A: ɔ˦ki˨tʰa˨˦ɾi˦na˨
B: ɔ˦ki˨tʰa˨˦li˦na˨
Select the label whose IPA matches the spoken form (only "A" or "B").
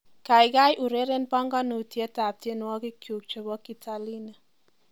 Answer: B